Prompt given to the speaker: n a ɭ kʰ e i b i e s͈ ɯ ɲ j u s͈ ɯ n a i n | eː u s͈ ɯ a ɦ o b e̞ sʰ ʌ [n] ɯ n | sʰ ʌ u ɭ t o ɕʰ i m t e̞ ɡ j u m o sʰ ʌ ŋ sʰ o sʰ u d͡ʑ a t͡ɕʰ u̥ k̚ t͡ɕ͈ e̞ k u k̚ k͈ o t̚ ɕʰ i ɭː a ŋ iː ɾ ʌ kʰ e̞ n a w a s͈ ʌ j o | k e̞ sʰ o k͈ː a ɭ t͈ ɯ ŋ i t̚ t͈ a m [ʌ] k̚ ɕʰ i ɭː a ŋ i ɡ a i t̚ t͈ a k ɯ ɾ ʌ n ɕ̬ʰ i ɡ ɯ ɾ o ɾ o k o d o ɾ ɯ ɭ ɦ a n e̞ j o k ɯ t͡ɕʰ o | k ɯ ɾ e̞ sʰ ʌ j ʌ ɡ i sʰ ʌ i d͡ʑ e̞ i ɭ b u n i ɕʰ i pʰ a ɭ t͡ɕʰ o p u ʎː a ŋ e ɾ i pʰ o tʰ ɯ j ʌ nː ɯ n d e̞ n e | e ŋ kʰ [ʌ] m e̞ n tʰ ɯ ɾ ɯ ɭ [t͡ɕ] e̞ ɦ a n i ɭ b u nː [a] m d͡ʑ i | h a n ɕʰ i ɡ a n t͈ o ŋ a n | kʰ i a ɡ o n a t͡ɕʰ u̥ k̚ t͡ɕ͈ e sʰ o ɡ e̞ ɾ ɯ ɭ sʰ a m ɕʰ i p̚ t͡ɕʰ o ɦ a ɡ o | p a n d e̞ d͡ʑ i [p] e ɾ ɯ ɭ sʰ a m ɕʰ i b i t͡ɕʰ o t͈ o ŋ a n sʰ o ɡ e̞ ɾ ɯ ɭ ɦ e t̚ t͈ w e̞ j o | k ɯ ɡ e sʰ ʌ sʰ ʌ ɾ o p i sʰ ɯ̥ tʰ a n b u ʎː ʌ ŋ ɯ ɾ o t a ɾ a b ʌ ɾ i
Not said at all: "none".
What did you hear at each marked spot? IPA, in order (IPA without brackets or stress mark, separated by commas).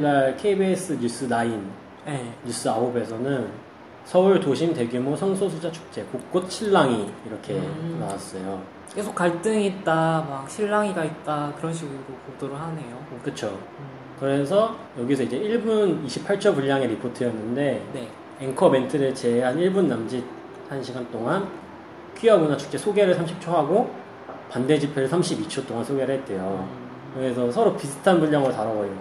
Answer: n, a, ʌ, t͡ɕ, a, pʰ